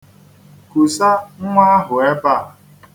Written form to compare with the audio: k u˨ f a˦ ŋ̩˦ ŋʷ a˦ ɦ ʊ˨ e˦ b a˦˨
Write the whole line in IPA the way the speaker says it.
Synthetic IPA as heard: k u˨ s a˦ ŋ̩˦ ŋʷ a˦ ɦ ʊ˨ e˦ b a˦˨